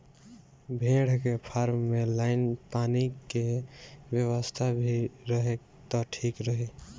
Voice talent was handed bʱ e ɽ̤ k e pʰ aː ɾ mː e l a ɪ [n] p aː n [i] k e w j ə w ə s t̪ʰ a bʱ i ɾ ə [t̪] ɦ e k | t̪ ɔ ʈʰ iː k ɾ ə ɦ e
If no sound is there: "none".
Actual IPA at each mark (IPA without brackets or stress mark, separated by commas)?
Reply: n, i, none